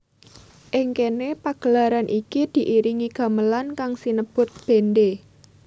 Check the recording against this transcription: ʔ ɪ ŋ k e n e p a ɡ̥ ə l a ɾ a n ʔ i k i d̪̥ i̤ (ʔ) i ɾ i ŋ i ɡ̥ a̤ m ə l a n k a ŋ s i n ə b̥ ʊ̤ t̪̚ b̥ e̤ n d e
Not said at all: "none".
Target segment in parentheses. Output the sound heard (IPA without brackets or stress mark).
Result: ʔ